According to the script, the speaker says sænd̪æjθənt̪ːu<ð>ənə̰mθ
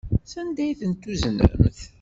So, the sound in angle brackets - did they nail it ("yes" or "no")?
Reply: no